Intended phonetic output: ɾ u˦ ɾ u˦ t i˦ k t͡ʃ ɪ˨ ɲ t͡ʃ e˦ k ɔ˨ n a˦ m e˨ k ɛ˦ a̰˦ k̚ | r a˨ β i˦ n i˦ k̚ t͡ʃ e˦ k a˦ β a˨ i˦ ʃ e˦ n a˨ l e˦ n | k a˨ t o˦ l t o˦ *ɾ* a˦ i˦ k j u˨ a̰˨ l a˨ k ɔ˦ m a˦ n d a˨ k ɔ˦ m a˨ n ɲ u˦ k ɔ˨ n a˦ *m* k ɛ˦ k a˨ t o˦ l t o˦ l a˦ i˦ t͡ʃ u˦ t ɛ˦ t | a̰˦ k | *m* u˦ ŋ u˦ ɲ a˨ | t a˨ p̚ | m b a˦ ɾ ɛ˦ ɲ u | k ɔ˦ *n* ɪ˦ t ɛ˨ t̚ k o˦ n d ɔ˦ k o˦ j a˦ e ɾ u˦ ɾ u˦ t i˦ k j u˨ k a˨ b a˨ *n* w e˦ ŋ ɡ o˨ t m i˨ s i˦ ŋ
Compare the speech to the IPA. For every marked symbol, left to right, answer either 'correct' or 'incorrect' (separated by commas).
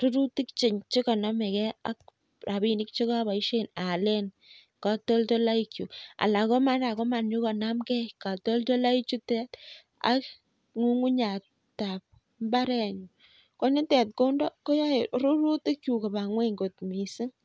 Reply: incorrect, correct, incorrect, correct, incorrect